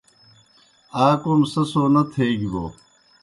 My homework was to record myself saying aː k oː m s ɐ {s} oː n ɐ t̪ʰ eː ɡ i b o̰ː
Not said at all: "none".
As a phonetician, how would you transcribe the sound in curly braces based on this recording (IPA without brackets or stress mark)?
s